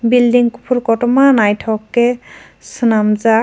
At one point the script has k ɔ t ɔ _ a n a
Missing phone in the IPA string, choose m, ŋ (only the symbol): m